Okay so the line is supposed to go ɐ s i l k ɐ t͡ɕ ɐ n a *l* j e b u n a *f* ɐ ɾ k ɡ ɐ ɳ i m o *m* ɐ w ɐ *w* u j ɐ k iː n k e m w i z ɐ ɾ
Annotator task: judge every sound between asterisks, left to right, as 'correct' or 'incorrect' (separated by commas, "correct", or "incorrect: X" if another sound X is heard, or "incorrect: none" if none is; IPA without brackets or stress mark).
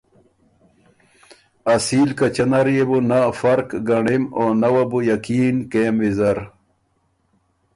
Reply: incorrect: ɾ, correct, incorrect: n, incorrect: b